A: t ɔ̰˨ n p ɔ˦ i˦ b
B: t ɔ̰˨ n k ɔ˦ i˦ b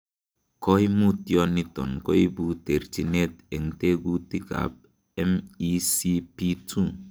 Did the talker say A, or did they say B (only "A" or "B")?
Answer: B